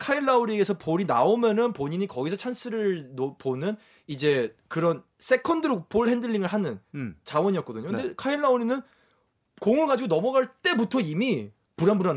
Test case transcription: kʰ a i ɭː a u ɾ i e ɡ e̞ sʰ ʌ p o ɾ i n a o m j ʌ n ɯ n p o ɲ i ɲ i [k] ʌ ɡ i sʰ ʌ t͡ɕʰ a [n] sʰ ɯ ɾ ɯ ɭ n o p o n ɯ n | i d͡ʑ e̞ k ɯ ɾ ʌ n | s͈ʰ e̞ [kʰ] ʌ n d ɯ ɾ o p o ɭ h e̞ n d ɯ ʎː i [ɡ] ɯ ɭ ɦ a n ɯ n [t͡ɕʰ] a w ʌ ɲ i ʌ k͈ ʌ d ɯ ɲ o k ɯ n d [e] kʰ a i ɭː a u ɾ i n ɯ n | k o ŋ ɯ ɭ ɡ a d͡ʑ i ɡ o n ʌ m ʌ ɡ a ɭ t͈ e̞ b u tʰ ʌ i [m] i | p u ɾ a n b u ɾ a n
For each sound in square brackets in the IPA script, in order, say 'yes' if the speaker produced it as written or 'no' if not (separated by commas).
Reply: yes, yes, yes, no, no, yes, yes